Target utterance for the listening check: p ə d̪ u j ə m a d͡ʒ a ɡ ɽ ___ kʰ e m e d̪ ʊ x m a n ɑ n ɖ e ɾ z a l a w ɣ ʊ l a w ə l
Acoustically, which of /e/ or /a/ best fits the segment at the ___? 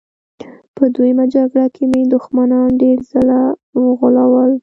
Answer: a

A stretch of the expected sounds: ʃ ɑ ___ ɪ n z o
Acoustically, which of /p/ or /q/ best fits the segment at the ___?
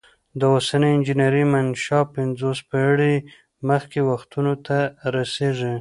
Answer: p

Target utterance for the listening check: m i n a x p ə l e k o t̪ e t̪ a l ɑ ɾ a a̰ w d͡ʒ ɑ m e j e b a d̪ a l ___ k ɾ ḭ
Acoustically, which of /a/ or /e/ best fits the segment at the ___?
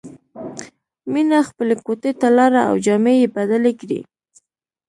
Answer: e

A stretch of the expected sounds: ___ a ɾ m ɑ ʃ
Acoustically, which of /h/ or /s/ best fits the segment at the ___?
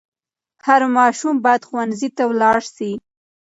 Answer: h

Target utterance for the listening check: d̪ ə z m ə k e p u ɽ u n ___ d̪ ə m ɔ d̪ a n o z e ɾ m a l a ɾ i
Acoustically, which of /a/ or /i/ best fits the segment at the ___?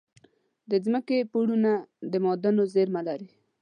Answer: a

